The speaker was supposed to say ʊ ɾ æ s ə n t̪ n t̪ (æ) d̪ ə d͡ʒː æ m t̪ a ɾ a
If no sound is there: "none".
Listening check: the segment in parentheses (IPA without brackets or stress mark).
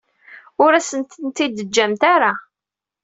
i